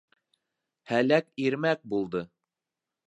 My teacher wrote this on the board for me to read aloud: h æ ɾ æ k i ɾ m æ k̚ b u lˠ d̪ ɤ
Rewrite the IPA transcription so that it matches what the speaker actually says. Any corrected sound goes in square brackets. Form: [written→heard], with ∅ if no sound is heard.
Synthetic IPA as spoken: h æ [ɾ→l] æ k i ɾ m æ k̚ b u lˠ d̪ ɤ